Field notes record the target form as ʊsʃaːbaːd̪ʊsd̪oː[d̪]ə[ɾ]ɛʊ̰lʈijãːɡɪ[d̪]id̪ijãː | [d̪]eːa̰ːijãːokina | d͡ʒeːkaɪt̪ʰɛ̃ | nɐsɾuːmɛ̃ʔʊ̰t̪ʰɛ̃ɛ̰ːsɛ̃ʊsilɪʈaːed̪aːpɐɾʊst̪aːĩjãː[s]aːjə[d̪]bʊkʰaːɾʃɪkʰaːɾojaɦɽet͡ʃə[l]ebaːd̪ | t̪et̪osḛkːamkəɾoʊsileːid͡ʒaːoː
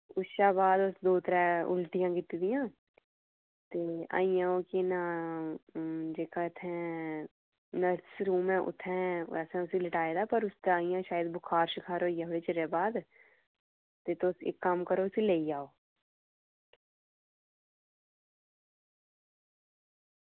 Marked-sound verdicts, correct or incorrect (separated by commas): incorrect, correct, incorrect, incorrect, incorrect, correct, incorrect